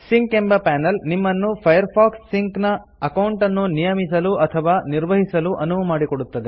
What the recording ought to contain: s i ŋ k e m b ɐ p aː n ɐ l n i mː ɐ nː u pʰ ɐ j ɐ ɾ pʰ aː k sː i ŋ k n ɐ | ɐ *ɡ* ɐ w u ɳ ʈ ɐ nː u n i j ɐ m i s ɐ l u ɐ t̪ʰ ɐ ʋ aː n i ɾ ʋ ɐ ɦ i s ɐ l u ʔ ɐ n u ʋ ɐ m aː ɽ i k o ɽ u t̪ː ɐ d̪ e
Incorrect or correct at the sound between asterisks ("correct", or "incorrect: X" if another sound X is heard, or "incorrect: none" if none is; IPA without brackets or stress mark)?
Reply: incorrect: k